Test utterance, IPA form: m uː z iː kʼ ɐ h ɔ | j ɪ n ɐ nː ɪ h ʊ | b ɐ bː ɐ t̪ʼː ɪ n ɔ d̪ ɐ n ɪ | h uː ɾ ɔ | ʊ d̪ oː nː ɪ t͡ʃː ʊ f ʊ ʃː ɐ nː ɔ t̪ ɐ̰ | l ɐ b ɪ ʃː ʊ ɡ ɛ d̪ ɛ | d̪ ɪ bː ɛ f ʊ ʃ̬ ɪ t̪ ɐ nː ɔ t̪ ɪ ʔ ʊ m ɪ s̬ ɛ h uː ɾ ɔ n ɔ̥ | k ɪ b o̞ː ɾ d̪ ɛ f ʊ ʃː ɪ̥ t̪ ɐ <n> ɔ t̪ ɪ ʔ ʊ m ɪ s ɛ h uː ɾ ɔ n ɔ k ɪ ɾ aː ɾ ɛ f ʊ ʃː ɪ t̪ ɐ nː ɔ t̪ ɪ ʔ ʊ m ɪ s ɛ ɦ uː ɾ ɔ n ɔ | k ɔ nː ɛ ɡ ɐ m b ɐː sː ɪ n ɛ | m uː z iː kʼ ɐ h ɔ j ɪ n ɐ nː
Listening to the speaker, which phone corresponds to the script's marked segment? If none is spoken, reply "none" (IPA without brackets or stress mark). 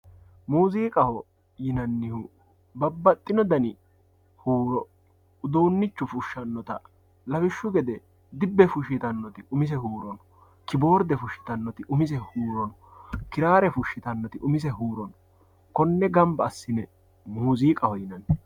nː